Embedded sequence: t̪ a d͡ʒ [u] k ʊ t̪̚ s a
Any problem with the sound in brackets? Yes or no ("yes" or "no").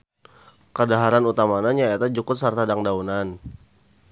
no